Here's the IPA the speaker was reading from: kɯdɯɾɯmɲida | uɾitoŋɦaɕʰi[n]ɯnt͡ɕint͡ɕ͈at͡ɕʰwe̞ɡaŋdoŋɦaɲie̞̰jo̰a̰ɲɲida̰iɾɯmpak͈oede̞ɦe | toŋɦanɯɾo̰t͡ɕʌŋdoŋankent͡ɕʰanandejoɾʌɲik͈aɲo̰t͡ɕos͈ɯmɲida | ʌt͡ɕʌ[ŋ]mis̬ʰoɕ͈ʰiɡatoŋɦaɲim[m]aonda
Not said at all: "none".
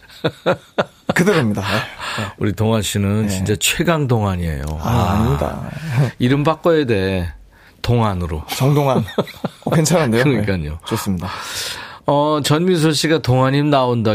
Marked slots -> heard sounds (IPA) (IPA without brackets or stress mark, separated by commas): n, n, n